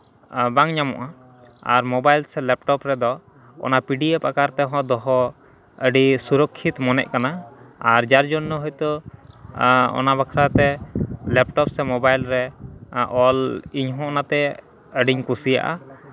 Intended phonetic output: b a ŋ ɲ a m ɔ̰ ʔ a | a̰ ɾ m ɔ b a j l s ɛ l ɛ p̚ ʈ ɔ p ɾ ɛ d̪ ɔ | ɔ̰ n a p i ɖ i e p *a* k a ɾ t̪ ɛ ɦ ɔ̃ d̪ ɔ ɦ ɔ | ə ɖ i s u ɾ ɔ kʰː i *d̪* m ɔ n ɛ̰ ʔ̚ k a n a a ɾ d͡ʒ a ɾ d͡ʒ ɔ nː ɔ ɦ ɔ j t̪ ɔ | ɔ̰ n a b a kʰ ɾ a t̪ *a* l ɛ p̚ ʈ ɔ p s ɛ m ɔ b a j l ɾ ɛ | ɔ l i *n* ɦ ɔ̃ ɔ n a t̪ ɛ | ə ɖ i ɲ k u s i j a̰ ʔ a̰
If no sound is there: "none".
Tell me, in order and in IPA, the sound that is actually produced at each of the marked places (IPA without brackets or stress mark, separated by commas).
a, t̪, ɛ, ɲ